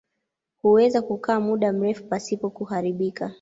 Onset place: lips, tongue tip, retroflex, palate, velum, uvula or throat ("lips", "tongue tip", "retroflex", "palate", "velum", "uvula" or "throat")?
throat